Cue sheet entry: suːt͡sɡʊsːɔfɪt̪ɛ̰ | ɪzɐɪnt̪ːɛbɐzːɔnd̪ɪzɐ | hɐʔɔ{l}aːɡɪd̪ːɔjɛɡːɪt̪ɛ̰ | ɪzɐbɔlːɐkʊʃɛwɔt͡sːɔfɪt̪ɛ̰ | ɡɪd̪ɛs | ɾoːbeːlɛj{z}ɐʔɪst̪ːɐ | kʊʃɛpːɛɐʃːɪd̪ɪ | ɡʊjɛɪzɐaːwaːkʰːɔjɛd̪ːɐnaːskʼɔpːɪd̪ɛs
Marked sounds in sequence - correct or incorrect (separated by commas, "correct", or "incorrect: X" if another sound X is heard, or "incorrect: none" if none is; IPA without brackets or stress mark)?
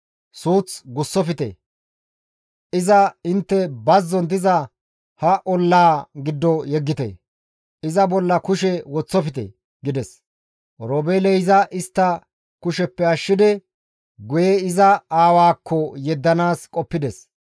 incorrect: lː, correct